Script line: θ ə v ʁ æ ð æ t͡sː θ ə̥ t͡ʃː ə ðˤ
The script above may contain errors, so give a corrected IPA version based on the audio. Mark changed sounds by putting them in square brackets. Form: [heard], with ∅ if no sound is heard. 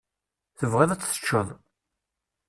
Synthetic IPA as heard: θ ə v ʁ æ ð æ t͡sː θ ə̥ t͡ʃː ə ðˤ